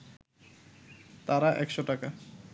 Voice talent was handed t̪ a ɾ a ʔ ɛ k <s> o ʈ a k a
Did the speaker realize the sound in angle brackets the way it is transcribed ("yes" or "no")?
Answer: no